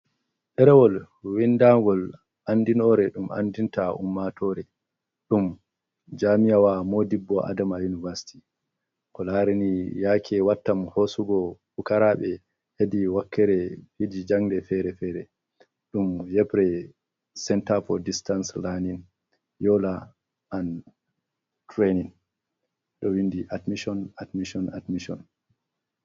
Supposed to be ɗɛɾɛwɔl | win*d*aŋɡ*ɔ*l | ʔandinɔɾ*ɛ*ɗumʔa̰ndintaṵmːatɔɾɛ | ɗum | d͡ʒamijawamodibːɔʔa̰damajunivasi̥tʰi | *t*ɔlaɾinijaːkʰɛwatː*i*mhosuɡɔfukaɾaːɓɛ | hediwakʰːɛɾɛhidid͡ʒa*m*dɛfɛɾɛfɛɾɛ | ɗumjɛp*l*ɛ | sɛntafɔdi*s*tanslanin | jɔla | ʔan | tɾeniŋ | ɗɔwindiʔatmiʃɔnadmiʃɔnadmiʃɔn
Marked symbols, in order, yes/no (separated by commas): yes, yes, yes, no, no, no, no, yes